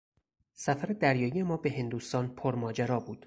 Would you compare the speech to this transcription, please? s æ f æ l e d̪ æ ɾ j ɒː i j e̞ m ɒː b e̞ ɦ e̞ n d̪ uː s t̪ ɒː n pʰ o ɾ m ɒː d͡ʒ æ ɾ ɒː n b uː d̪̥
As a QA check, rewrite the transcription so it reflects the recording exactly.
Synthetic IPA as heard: s æ f æ ɾ e d̪ æ ɾ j ɒː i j e̞ m ɒː b e̞ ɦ e̞ n d̪ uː s t̪ ɒː n pʰ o ɾ m ɒː d͡ʒ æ ɾ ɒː b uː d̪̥

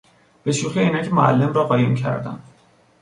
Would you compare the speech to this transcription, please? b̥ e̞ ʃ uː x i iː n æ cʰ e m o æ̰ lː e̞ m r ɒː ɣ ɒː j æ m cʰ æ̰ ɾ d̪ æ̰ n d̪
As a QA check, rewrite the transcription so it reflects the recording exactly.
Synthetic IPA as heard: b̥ e̞ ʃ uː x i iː n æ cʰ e m o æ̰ lː e̞ m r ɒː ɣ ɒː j e m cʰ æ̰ ɾ d̪ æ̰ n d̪

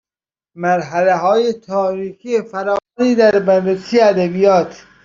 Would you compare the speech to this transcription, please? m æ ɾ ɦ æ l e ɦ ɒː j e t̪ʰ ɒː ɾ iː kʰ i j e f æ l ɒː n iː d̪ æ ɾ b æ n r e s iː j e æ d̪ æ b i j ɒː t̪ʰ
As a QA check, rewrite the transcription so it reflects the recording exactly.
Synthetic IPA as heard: m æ ɾ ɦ æ l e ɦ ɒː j e t̪ʰ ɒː ɾ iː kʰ i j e f æ ɾ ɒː n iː d̪ æ ɾ b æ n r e s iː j e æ d̪ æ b i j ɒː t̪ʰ

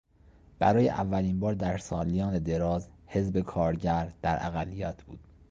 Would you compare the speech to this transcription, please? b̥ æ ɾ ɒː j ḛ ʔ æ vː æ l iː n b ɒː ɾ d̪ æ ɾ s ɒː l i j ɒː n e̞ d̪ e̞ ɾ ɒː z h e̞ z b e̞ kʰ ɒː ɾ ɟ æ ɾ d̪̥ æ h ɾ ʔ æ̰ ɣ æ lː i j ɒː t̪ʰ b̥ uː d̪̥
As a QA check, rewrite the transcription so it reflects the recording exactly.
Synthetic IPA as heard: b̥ æ ɾ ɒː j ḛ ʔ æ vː æ l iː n b ɒː ɾ d̪ æ ɾ s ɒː l i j ɒː n e̞ d̪ e̞ ɾ ɒː z h e̞ z b e̞ kʰ ɒː ɾ ɟ æ ɾ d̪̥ æ ɾ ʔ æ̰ ɣ æ lː i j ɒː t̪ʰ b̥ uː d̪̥

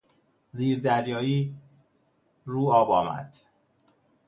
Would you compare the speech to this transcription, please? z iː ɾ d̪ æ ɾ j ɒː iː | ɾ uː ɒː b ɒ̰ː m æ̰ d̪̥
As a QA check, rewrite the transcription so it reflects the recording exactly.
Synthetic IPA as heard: z iː ɾ d̪ æ ɾ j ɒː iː | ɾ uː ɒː b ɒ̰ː m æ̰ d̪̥

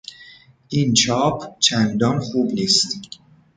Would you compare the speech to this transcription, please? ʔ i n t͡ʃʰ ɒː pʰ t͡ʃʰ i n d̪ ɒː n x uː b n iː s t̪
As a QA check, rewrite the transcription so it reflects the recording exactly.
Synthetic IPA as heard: ʔ i n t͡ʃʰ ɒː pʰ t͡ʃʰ æ n d̪ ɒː n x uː b n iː s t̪

